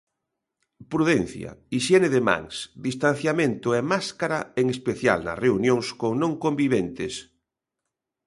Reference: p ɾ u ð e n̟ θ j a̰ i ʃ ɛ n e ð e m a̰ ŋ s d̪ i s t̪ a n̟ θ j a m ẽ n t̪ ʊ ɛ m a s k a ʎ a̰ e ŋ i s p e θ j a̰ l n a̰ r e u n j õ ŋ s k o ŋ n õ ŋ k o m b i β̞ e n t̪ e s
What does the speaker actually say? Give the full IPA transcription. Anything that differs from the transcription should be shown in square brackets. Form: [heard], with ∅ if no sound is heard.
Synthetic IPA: p ɾ u ð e n̟ θ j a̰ i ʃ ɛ n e ð e m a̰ ŋ s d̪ i s t̪ a n̟ θ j a m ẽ n t̪ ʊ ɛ m a s k a [ɾ] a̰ e ŋ [e] s p e θ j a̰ l n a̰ r e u n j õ ŋ s k o ŋ n õ ŋ k o m b i β̞ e n t̪ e s